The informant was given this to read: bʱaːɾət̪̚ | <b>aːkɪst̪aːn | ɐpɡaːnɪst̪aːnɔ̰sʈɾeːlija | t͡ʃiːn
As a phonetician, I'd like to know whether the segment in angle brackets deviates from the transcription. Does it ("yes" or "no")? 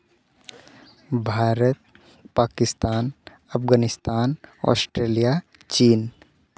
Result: yes